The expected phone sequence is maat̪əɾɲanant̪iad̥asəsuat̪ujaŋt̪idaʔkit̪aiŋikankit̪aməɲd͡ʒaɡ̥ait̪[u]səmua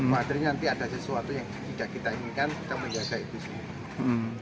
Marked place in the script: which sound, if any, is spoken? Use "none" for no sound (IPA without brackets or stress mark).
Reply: u